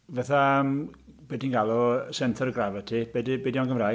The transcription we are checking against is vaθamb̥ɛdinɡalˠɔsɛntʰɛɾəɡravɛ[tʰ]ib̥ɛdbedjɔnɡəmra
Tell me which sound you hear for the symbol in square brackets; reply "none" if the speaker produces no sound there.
tʰ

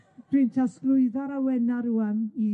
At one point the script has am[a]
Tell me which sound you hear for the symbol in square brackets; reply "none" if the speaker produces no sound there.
i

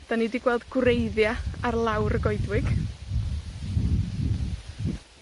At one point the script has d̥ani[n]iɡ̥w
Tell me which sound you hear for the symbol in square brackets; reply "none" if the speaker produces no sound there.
d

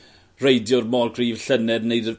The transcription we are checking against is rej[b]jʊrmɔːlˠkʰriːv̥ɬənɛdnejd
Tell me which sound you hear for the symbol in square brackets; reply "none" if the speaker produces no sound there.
d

